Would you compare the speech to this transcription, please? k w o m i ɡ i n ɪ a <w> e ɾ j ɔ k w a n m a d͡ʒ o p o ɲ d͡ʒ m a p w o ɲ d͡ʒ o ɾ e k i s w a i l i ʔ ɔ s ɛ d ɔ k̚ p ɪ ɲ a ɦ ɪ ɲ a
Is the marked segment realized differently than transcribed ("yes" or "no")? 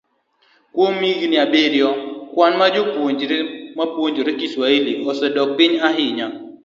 yes